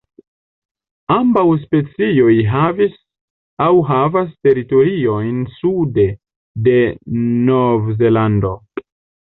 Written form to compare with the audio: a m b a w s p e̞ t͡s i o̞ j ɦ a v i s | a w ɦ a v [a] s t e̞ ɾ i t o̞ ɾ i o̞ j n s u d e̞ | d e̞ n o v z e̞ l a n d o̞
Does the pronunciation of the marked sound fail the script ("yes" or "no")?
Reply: no